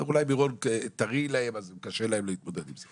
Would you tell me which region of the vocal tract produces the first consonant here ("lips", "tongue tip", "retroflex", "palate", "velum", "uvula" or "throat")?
tongue tip